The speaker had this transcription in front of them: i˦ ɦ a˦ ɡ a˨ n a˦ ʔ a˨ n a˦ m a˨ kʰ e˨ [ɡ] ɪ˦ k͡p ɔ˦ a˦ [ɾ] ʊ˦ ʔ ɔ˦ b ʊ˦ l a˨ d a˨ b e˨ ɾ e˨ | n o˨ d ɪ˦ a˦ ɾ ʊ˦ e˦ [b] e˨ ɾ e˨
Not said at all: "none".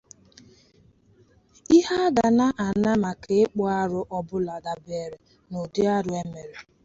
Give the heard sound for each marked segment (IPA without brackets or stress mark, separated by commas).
none, ɾ, m